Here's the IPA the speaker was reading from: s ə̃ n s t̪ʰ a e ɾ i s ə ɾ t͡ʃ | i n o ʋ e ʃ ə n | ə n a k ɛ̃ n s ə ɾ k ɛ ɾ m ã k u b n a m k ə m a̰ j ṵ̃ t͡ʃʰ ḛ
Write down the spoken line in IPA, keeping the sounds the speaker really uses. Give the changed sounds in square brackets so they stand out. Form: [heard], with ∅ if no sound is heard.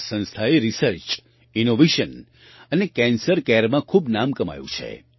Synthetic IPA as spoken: s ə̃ n s t̪ʰ a e ɾ i s ə ɾ t͡ʃ | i n o ʋ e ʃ ə n | ə n [e] k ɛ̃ n s ə ɾ k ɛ ɾ m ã [kʰ] u b n a m k ə m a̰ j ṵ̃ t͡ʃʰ ḛ